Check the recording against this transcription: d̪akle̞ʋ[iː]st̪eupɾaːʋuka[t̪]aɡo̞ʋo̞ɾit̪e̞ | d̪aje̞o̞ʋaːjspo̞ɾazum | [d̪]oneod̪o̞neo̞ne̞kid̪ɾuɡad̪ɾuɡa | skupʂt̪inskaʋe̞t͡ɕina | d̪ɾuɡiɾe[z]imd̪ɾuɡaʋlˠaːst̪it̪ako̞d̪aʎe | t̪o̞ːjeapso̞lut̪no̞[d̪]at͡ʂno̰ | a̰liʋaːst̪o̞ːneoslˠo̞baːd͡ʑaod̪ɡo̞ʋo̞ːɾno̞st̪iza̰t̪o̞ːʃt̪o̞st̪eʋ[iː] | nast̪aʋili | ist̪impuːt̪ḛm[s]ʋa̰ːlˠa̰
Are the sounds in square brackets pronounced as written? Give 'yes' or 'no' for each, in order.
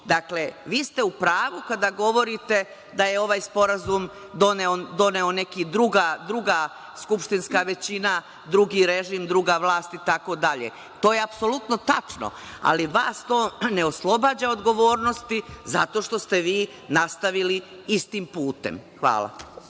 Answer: yes, no, yes, no, no, yes, no

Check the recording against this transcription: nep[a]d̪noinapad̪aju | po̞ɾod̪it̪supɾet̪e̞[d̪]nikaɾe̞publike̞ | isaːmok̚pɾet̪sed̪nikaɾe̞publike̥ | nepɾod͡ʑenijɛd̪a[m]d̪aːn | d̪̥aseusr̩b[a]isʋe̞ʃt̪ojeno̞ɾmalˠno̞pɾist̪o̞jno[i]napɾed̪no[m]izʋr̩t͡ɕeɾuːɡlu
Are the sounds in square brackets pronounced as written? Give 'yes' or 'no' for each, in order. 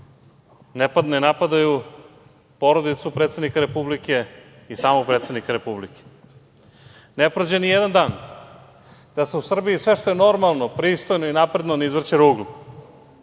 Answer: yes, yes, no, no, yes, no

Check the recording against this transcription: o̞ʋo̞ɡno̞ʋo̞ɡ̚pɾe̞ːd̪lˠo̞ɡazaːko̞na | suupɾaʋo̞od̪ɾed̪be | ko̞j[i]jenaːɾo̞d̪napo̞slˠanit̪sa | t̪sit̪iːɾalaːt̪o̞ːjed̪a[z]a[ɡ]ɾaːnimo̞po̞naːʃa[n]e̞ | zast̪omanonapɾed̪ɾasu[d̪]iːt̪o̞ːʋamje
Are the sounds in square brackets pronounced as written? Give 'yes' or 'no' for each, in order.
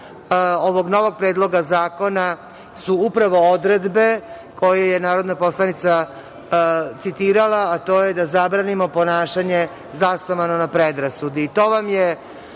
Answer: no, yes, no, no, yes

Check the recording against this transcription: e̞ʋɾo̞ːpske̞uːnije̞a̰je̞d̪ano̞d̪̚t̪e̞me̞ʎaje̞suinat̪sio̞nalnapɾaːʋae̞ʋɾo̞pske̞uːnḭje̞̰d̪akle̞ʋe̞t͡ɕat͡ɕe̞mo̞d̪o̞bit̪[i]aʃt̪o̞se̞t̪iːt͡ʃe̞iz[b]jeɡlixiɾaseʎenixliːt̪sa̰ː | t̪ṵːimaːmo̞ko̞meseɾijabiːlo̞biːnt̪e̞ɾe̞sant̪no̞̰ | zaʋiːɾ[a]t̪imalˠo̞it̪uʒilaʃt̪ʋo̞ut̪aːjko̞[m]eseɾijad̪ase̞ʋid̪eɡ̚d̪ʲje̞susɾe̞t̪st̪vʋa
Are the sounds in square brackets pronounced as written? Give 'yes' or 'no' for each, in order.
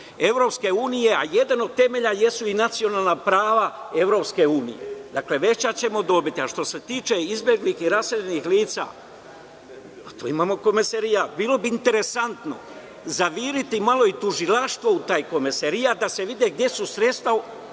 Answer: yes, yes, no, yes

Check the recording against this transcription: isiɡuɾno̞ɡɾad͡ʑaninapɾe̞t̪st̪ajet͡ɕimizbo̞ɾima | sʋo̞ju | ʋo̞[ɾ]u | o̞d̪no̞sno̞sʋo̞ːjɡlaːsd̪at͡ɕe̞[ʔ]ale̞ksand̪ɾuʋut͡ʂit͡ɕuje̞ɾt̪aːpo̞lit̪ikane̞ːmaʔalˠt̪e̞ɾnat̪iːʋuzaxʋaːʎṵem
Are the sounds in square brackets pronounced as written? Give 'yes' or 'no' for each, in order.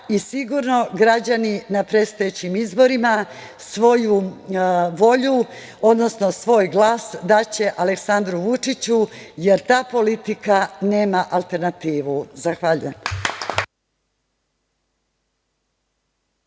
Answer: no, yes

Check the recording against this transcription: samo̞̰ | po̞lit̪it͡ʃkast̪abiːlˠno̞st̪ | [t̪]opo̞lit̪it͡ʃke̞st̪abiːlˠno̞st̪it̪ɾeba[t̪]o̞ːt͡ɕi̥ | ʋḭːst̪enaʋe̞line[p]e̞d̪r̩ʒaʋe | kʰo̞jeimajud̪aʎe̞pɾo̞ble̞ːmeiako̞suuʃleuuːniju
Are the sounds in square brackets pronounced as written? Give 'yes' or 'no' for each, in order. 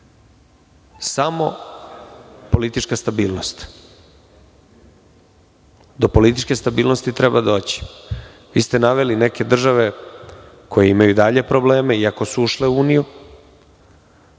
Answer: no, no, no

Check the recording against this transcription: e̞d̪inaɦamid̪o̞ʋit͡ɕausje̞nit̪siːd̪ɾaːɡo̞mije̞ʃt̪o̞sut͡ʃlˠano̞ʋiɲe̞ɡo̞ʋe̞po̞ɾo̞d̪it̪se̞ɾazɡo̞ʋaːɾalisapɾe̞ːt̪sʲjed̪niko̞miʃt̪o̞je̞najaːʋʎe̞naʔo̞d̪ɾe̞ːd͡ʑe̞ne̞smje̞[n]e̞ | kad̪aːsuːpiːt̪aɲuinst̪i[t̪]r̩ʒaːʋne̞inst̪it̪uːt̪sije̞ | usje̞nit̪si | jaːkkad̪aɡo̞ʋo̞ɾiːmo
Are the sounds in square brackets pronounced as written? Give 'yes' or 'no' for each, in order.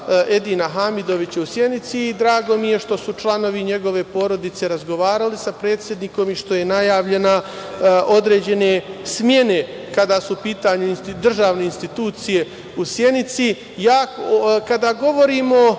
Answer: yes, no

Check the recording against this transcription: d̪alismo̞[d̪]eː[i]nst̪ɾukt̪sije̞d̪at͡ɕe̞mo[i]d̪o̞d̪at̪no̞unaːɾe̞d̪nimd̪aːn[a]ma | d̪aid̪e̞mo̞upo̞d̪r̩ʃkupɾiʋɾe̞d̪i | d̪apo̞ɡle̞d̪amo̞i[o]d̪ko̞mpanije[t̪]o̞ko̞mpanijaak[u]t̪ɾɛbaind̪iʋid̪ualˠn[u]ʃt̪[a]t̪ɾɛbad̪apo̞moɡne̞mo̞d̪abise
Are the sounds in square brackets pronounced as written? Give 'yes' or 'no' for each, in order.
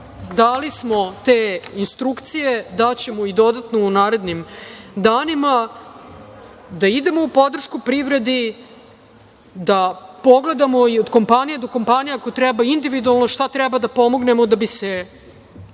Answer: no, yes, yes, no, yes, no, no, no, yes

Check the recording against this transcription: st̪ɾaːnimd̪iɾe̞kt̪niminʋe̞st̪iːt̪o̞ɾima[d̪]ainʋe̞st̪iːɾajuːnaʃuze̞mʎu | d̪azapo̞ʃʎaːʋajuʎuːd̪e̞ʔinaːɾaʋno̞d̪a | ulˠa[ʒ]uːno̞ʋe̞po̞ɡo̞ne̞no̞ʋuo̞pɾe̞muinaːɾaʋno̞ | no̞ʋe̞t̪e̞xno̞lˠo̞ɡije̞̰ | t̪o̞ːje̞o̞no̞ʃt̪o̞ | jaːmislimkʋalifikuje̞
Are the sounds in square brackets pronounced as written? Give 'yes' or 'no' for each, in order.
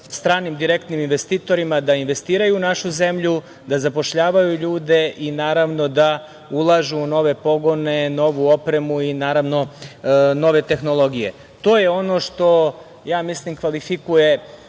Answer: yes, yes

